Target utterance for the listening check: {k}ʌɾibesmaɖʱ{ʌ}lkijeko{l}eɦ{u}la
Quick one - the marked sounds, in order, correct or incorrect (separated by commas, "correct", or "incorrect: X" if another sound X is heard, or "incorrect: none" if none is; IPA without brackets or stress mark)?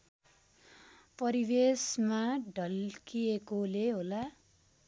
incorrect: p, correct, correct, incorrect: o